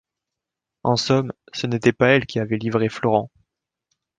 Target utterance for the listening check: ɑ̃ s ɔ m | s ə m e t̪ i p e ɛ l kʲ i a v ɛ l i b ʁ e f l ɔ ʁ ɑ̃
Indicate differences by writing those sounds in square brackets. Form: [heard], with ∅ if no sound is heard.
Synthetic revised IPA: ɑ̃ s ɔ m | s ə [n] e t̪ [ɛ] p [a] ɛ l kʲ i a v ɛ l i [v] ʁ e f l ɔ ʁ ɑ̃